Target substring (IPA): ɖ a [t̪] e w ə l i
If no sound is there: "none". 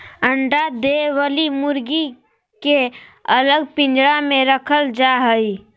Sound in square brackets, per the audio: d̪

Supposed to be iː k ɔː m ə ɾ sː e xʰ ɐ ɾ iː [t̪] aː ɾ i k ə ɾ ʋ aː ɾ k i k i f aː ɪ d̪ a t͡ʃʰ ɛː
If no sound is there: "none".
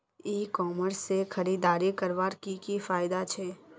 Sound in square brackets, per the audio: d̪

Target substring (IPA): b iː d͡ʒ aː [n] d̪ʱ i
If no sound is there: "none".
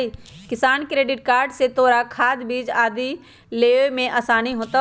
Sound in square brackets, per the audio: none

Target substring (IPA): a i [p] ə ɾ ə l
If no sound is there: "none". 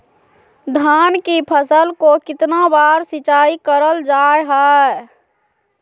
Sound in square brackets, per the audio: k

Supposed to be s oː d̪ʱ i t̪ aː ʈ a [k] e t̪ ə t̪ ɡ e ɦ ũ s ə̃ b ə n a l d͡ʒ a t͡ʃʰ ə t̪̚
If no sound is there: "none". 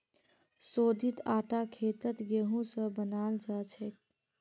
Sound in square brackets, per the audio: kʰ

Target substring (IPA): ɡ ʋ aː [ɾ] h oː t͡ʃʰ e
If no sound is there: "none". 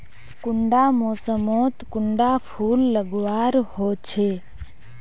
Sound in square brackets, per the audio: ɾ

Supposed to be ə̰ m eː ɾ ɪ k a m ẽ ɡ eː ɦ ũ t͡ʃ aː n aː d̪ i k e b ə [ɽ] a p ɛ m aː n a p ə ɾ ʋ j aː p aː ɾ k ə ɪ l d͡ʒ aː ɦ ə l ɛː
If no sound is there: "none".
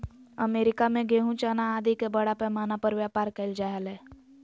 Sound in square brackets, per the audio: ɽ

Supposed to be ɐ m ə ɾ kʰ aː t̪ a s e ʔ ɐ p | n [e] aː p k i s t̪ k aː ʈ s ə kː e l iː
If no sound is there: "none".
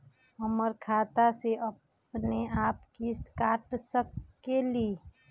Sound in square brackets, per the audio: e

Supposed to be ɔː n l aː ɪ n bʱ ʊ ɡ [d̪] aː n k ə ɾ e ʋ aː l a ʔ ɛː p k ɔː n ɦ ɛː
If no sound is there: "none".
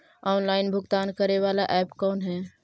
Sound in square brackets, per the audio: t̪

